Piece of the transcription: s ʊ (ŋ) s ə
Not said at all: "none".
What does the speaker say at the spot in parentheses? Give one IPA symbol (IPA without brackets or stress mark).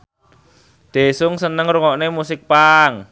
ŋ